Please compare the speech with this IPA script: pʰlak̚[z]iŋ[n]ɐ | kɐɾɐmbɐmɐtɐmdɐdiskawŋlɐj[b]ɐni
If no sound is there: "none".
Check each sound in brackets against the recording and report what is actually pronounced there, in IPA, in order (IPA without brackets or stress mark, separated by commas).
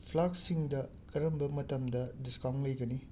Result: s, d, ɡ